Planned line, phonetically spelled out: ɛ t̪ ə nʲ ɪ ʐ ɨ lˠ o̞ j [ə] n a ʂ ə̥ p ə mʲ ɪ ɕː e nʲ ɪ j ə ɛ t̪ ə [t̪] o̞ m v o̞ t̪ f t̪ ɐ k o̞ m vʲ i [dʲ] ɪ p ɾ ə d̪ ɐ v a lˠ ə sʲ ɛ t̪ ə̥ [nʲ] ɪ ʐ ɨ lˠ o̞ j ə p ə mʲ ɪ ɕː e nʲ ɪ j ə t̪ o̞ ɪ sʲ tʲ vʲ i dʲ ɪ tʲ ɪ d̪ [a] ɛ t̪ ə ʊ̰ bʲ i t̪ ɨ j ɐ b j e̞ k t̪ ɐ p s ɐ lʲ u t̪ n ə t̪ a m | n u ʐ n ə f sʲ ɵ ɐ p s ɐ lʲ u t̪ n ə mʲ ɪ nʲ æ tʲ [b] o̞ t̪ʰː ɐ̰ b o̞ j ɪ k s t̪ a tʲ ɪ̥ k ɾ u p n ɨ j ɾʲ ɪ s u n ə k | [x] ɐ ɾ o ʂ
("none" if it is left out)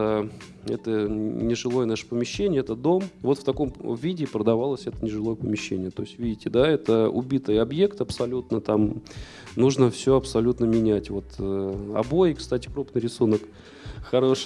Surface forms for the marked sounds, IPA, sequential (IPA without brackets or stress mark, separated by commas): ə, d̪, dʲ, nʲ, a, v, x